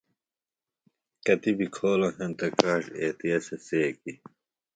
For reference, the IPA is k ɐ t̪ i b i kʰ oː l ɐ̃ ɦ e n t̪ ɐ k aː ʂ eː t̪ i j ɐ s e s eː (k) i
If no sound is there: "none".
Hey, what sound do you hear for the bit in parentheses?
k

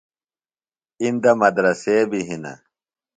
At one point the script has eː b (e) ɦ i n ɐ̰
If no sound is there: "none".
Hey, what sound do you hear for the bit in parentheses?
i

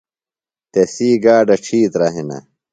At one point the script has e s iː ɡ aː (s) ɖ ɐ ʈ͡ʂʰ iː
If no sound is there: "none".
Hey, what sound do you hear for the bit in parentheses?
none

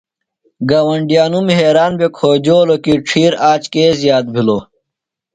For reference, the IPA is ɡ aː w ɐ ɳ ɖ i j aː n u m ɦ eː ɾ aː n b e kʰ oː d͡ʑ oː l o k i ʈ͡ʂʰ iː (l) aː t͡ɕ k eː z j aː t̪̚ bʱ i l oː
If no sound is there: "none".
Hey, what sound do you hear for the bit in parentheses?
ɾ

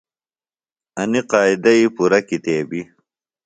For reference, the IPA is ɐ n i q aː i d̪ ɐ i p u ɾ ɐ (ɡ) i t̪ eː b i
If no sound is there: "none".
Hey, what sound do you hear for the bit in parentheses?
k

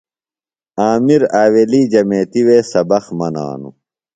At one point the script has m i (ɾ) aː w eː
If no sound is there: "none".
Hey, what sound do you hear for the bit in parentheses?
ɾ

